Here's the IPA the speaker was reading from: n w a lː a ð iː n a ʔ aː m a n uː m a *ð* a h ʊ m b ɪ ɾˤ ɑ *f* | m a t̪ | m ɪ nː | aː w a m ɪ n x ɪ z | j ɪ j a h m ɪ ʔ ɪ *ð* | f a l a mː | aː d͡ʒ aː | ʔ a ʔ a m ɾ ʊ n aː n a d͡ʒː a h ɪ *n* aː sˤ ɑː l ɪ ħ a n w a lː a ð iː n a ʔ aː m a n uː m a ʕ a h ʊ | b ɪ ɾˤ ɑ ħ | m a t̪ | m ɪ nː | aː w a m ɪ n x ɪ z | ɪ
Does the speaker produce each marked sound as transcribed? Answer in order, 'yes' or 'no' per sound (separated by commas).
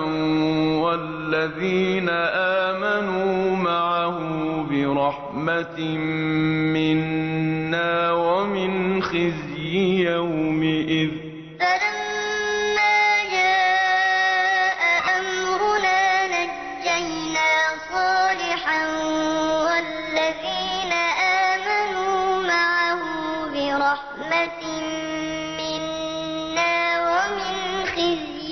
no, no, yes, yes